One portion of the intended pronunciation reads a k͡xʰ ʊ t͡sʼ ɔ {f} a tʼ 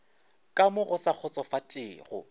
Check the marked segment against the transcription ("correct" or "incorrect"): correct